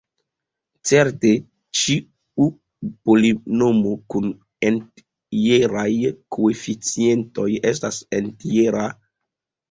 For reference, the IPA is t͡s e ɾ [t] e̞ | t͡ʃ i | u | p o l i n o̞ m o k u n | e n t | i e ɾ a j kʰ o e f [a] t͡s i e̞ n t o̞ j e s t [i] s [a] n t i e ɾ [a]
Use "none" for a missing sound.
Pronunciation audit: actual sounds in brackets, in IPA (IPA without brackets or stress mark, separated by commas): t, i, a, e, a